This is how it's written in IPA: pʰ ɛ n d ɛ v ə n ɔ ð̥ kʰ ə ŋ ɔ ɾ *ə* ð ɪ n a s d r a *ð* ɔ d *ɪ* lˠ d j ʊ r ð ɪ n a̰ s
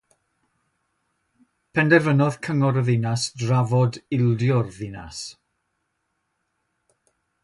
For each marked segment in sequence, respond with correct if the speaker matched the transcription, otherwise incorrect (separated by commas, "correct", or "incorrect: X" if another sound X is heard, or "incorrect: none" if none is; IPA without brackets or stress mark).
correct, incorrect: v, correct